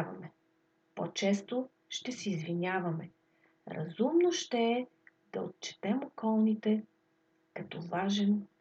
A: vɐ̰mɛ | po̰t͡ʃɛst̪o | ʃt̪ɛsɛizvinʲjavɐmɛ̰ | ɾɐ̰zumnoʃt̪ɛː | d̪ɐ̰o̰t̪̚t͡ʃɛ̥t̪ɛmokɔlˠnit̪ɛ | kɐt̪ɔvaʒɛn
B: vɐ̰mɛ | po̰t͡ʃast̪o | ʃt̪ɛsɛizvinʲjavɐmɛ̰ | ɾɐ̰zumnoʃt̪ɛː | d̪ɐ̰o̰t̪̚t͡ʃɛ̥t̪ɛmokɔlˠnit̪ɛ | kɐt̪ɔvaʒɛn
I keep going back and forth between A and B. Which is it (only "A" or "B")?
A